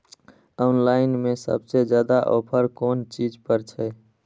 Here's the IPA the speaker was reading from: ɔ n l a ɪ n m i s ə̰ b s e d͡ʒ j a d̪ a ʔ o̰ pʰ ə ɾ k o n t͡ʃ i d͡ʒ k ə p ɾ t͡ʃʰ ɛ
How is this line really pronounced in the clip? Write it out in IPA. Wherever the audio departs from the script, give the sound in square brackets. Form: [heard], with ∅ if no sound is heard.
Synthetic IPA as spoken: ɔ n l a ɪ n m [e] s ə̰ b s e d͡ʒ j a d̪ a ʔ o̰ pʰ ə ɾ k o n t͡ʃ i d͡ʒ [p] ə [∅] ɾ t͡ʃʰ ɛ